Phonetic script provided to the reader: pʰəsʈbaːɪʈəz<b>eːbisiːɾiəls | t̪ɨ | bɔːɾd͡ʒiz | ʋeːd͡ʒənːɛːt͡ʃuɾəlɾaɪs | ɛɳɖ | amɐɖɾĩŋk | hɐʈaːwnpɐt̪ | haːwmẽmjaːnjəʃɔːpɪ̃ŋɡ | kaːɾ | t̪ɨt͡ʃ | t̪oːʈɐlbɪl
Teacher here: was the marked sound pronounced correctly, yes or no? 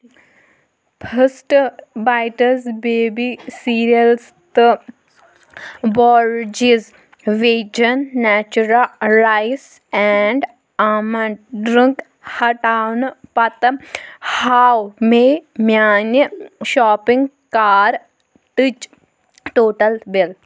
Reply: yes